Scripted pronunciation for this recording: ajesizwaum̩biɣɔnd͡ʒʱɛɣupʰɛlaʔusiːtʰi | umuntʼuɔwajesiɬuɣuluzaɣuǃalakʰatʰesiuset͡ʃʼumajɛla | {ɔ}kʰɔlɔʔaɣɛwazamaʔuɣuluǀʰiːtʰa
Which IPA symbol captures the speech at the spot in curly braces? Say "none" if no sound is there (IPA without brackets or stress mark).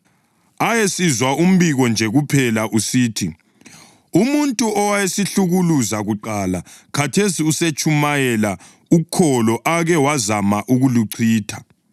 u